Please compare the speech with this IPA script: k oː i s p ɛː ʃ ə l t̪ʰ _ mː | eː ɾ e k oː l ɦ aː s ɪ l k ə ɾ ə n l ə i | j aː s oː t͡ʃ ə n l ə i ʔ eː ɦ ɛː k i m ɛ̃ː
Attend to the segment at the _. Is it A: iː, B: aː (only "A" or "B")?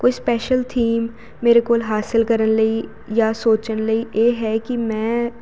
A